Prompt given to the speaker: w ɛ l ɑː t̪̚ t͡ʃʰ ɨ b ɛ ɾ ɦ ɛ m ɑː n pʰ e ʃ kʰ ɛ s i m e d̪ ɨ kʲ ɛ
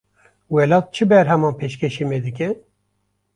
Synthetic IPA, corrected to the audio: w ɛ l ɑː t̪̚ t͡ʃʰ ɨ b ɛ ɾ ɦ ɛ m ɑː n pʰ e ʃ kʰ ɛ ʃ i m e d̪ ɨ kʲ ɛ